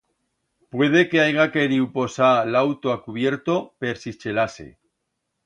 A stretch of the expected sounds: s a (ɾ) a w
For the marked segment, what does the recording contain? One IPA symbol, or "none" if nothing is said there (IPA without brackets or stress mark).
l